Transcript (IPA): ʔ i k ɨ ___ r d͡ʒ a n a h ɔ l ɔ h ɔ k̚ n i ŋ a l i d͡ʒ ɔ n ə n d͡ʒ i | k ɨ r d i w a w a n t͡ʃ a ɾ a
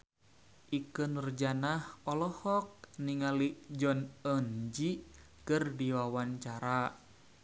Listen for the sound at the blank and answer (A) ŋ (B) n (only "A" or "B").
B